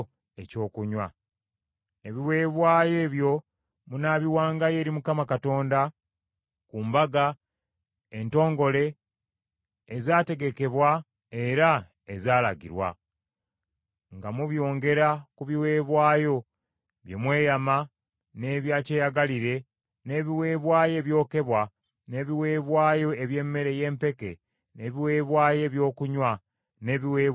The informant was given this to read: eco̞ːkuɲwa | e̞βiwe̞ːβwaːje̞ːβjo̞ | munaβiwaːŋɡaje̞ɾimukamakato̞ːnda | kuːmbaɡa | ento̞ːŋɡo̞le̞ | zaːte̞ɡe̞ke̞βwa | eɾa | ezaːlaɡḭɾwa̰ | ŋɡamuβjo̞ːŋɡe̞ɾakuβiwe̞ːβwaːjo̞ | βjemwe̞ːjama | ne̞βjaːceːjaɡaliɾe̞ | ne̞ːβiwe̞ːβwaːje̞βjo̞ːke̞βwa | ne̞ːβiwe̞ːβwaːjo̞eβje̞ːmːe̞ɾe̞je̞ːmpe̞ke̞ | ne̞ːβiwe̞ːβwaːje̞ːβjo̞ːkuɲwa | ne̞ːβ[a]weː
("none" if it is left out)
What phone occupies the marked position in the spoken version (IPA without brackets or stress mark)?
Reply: i